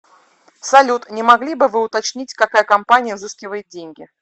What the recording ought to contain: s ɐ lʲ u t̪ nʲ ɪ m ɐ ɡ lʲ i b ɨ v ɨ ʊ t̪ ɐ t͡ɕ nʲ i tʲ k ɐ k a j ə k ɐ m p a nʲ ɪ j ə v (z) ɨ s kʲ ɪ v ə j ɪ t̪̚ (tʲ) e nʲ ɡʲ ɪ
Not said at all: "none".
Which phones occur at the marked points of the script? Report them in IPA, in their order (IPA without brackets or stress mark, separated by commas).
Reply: z, dʲ